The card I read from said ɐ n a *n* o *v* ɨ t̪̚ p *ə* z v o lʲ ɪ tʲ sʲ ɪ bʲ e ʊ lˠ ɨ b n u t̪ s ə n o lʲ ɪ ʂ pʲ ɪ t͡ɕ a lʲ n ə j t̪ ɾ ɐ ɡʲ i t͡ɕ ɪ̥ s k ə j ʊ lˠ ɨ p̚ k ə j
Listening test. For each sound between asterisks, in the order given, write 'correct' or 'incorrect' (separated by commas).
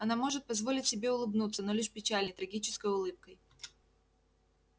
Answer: incorrect, incorrect, incorrect